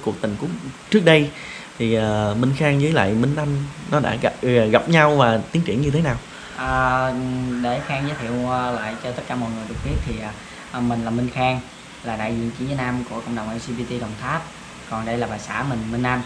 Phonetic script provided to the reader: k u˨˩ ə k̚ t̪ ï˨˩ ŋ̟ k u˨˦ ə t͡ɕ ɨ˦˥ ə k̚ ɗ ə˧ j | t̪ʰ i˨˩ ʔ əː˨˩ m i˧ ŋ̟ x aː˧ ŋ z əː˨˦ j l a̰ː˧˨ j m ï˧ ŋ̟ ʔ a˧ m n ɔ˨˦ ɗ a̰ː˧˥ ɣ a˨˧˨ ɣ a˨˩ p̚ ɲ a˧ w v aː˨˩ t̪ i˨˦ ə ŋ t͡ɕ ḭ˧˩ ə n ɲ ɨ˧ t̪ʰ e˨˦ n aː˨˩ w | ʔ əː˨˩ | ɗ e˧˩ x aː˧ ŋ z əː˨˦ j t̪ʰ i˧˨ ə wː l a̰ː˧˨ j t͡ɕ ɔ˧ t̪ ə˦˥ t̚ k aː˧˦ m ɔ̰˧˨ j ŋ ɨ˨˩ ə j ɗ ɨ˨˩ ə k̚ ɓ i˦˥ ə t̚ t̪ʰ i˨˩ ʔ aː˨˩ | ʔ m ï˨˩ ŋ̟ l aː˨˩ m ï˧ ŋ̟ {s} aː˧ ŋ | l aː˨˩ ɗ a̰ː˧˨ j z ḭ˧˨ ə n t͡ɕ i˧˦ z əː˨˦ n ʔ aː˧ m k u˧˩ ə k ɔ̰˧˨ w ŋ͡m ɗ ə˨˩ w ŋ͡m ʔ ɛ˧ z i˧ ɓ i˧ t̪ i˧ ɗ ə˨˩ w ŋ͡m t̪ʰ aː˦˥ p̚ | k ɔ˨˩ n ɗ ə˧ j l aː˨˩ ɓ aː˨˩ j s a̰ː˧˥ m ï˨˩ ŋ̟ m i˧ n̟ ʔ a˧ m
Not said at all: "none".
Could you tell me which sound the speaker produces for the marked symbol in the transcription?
x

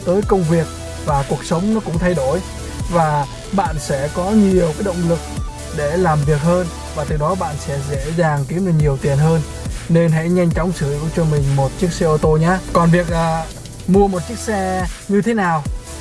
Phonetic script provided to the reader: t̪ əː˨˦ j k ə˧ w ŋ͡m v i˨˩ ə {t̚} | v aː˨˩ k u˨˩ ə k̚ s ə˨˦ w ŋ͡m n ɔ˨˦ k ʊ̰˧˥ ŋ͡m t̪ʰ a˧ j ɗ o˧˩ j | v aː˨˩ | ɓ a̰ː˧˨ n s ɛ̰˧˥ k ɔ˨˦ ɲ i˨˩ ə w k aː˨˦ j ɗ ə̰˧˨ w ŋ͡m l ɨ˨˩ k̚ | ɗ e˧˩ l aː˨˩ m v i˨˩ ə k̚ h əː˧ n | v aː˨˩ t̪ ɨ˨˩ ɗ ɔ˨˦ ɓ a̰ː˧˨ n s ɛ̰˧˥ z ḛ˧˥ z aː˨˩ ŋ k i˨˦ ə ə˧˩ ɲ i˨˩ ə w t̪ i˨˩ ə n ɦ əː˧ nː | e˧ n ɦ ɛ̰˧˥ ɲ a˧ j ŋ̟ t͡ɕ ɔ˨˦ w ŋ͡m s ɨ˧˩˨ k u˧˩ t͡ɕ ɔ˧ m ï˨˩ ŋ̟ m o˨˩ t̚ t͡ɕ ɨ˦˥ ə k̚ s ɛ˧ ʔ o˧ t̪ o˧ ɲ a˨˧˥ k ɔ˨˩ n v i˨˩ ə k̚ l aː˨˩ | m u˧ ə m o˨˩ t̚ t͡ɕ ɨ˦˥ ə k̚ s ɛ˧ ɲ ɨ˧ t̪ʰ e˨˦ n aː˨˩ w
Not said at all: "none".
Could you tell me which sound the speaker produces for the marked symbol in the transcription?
k̚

